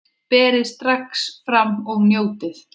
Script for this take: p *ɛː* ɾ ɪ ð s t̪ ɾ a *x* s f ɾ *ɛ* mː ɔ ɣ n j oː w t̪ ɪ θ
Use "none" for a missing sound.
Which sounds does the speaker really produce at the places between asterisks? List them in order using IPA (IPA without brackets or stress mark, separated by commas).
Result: ɛː, k, a